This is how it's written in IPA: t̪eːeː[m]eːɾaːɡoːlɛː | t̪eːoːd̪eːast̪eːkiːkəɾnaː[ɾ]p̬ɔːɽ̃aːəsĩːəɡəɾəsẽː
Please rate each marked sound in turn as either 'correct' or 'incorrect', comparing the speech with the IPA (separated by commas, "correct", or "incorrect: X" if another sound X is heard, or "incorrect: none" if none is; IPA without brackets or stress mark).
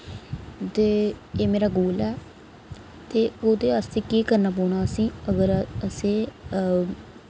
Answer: correct, incorrect: none